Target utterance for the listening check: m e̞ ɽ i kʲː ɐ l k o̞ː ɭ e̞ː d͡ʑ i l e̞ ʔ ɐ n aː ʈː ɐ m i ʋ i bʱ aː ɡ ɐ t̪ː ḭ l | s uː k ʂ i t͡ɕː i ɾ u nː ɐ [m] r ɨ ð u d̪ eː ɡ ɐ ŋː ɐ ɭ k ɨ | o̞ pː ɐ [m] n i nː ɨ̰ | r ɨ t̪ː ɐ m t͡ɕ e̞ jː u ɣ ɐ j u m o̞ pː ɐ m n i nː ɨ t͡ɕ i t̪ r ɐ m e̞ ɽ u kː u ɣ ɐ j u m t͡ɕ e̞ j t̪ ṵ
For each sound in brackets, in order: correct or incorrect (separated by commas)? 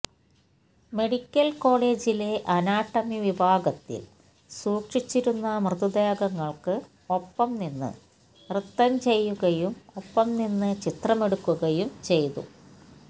correct, correct